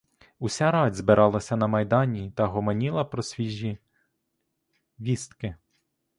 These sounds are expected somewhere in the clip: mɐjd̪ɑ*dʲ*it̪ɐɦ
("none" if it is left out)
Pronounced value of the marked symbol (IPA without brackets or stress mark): nʲ